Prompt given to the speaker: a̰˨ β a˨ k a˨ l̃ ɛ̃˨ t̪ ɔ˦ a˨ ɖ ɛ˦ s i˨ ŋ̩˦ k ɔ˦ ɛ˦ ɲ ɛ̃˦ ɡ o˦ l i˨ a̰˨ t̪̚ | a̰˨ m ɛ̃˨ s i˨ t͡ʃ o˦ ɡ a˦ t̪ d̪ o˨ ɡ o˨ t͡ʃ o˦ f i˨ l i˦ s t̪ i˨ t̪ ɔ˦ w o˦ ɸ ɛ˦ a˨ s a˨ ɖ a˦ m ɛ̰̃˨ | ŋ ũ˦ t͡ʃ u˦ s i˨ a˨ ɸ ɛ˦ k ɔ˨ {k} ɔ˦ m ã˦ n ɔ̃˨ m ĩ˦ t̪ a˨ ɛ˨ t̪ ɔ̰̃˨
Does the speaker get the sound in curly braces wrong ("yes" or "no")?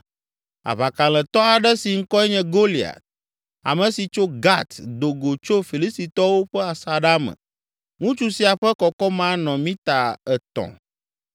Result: no